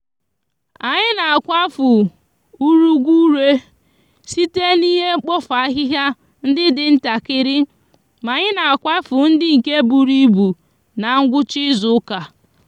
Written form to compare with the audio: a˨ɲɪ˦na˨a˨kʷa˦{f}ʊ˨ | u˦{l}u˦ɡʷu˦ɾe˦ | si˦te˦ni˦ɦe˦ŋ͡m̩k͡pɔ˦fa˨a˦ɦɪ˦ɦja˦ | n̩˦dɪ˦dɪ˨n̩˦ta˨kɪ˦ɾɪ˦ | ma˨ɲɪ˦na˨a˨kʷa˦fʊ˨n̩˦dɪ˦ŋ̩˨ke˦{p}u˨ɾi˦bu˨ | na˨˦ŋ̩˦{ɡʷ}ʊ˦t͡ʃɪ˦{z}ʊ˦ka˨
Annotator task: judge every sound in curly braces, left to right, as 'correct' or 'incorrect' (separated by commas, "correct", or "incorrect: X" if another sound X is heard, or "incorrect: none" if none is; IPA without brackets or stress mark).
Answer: correct, incorrect: ɾ, incorrect: b, correct, correct